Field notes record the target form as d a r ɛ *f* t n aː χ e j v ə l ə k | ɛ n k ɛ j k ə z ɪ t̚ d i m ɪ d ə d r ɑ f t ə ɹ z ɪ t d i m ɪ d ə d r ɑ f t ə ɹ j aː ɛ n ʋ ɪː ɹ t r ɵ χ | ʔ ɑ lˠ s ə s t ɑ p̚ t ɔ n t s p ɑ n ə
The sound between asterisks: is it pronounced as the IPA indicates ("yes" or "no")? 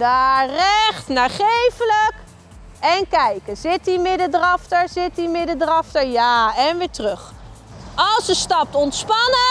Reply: no